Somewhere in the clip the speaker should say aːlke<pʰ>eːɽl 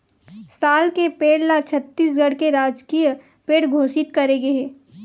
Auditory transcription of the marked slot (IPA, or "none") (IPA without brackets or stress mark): p